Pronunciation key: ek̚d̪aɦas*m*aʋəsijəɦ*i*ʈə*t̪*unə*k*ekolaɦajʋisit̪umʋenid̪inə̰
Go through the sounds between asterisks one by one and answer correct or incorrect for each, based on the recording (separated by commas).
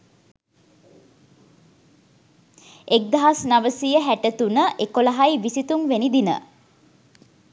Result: incorrect, incorrect, correct, incorrect